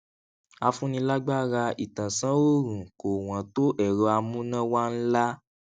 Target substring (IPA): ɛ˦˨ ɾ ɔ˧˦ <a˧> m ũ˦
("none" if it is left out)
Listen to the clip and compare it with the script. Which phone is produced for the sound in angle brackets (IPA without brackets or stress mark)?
a˧